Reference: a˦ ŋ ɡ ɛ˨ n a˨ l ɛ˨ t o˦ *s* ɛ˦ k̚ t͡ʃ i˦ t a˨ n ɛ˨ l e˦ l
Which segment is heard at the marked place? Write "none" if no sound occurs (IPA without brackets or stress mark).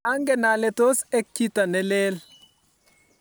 s